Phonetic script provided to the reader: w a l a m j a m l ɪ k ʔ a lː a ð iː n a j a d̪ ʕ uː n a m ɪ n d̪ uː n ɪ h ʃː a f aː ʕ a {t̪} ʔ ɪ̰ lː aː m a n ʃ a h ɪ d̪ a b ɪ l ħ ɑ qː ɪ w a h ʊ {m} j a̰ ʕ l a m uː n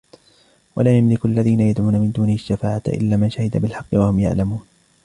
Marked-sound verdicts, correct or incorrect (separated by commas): correct, correct